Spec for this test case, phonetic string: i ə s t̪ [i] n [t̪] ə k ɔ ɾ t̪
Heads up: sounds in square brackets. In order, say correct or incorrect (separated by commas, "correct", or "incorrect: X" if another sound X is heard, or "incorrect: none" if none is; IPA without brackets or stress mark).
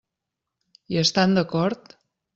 incorrect: a, incorrect: d̪